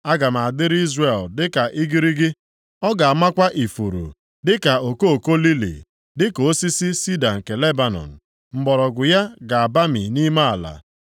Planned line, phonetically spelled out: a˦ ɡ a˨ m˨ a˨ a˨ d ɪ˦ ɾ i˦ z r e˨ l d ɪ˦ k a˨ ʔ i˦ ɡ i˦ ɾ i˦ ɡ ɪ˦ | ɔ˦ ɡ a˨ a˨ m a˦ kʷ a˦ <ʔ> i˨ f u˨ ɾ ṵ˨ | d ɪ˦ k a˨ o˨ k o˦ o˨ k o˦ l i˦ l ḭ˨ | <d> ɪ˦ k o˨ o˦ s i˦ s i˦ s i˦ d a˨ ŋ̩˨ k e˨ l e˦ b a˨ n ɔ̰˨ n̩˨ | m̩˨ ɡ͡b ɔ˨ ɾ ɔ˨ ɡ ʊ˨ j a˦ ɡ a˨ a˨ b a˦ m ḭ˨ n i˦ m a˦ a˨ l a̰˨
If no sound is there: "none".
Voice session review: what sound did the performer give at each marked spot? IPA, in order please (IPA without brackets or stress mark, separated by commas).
ʔ, d